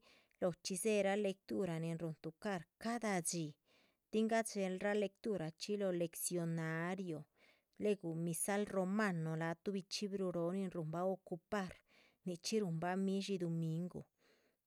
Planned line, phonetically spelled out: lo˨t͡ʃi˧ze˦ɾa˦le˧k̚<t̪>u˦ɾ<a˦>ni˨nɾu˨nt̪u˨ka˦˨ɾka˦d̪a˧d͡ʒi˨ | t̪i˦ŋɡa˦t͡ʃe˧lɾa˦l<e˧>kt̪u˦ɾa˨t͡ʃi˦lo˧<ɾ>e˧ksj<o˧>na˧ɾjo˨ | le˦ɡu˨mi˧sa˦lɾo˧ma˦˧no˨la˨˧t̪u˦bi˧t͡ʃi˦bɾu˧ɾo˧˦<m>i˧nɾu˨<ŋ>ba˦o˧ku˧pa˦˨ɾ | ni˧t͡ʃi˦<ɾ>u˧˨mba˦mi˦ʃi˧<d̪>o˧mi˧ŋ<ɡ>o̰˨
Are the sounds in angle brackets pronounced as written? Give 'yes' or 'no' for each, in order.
yes, no, yes, no, yes, no, no, yes, yes, yes

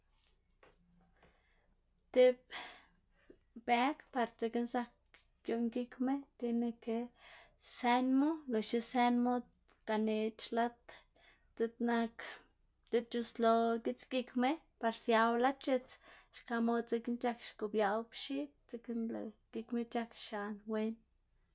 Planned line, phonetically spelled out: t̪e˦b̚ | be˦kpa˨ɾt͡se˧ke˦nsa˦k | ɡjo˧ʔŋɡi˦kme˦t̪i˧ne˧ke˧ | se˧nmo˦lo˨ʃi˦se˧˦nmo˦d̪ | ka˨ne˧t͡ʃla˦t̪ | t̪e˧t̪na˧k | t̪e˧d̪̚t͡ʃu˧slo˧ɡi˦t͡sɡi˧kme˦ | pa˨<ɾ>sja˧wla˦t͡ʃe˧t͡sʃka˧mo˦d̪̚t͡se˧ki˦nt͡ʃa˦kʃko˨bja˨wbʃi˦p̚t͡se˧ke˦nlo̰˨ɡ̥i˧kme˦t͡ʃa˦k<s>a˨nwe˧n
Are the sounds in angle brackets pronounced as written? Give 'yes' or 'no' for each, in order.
yes, no

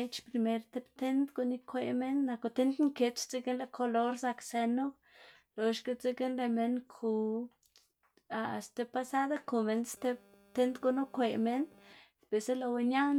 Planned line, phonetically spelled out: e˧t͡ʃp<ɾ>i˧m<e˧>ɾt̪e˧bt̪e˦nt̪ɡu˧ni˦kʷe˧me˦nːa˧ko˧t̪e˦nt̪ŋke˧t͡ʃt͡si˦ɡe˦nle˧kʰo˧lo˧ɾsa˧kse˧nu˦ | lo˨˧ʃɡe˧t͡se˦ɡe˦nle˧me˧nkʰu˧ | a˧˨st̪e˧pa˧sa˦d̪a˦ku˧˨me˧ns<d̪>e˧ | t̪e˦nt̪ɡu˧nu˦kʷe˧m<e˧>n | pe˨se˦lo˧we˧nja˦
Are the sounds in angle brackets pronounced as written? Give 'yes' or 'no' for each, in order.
yes, yes, no, yes

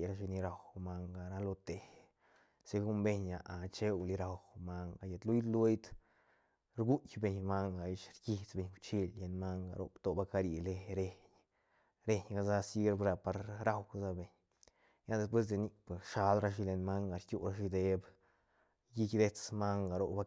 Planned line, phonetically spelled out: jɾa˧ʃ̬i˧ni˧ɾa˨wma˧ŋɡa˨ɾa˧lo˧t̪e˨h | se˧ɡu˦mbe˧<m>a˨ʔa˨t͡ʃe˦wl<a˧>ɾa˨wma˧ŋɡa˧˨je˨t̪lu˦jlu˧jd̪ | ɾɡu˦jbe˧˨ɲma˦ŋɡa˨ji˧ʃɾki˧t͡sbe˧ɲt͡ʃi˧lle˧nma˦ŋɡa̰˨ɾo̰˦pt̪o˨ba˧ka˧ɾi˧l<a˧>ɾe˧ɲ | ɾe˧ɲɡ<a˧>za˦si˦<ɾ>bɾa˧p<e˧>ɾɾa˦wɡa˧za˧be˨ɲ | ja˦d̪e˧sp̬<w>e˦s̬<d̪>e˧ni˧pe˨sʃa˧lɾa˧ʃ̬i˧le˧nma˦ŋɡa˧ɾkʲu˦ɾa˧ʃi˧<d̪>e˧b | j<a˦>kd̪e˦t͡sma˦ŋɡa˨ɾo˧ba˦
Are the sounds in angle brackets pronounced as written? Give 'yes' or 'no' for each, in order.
no, no, no, yes, yes, no, yes, yes, yes, no

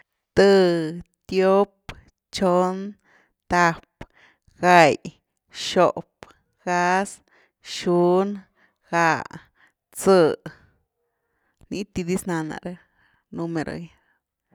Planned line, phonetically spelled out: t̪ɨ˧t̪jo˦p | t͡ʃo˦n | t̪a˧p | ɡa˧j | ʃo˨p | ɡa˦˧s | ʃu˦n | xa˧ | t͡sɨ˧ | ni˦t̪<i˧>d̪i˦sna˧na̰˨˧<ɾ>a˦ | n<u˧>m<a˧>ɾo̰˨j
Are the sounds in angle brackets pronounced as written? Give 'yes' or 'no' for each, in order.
yes, yes, yes, no

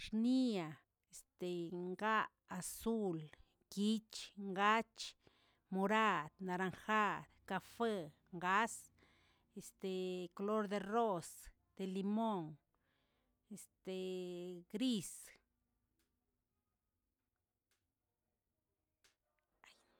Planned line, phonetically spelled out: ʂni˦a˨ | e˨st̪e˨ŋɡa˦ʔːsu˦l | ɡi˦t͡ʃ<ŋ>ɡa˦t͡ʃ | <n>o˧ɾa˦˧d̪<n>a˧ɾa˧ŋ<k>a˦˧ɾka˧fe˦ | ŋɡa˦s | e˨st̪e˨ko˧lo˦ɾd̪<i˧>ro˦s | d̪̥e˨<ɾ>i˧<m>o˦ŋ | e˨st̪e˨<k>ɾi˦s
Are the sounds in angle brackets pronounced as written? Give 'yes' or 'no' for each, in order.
yes, no, yes, no, no, no, yes, no

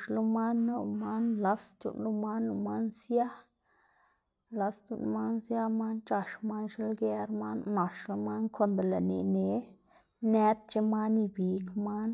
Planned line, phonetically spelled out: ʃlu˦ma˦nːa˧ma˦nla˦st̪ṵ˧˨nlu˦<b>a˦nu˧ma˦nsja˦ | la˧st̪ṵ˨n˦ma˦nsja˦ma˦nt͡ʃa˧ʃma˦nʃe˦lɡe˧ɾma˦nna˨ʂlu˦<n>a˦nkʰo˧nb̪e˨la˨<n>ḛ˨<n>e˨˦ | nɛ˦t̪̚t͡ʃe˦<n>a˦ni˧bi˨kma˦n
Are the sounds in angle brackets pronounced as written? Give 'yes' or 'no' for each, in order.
no, no, yes, yes, no

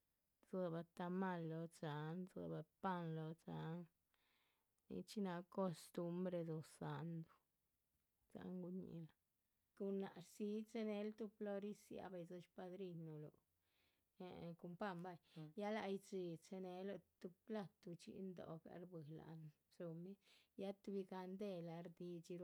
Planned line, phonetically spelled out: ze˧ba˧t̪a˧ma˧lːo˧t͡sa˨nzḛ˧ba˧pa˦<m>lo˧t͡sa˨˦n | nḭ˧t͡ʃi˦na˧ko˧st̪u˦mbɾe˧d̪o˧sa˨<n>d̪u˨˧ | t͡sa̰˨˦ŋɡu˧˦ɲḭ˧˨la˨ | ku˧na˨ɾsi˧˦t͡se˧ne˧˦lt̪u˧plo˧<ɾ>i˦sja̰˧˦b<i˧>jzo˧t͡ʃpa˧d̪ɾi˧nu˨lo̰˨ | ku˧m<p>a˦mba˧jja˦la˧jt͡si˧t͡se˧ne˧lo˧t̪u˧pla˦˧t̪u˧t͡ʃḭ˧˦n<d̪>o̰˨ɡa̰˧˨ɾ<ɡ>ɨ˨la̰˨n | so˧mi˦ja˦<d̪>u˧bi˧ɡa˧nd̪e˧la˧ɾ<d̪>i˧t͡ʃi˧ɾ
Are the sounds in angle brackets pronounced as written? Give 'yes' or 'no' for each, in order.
no, yes, yes, no, yes, yes, no, no, yes

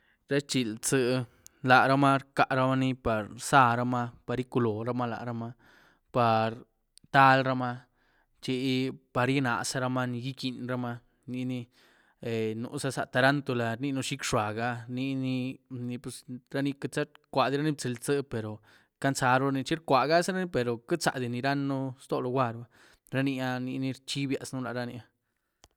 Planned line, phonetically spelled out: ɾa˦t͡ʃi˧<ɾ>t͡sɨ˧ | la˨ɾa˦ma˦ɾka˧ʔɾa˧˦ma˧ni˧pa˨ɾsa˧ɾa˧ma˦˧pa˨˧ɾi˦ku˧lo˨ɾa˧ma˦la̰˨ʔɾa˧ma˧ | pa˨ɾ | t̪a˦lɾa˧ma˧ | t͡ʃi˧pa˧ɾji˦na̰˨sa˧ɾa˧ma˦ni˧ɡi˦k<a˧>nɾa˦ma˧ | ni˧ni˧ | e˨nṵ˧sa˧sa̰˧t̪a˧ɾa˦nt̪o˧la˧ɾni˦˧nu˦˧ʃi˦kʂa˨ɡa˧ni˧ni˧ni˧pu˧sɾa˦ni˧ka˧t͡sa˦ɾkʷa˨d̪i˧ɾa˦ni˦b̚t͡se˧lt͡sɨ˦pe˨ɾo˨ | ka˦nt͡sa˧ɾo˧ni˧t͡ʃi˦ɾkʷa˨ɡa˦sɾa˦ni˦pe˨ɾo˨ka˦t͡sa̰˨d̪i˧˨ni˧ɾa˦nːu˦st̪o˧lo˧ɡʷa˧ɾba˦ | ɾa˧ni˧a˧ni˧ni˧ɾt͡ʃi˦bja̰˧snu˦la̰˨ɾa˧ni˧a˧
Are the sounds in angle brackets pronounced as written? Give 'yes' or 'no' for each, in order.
no, no

